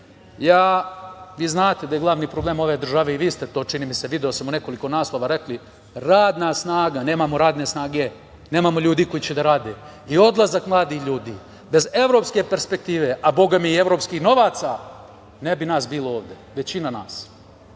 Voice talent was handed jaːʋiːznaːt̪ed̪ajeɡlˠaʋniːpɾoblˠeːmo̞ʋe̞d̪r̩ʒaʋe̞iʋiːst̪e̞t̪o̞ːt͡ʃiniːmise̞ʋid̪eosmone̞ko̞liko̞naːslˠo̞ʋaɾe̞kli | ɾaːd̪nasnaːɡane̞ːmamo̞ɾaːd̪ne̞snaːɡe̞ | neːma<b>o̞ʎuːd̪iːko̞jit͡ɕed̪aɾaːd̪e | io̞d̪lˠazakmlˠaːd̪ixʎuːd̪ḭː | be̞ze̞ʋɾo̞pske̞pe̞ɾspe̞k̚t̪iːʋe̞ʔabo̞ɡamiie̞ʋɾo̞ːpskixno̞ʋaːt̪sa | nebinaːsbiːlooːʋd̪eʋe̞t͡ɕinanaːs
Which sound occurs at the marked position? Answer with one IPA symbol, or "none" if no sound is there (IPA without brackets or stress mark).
m